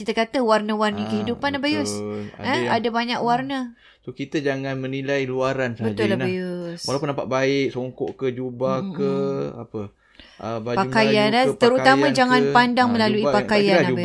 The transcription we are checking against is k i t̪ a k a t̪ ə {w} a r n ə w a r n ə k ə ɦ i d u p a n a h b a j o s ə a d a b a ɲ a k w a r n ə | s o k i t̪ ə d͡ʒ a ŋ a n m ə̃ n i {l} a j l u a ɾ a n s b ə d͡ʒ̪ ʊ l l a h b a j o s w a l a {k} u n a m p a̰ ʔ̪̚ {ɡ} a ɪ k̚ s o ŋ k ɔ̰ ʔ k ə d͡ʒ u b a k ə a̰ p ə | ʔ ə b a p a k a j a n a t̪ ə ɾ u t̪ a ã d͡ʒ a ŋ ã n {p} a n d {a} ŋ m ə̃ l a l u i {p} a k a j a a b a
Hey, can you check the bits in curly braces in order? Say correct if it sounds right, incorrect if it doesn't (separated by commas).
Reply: correct, correct, incorrect, incorrect, correct, correct, correct